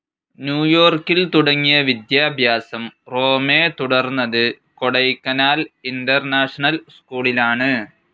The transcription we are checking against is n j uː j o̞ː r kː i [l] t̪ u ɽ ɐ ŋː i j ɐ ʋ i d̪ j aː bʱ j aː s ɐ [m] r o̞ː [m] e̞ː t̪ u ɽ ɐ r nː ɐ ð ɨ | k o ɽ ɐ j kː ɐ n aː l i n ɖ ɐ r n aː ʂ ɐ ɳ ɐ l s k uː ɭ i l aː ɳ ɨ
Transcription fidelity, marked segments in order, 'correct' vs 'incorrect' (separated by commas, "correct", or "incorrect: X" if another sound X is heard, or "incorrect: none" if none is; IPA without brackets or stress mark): correct, correct, correct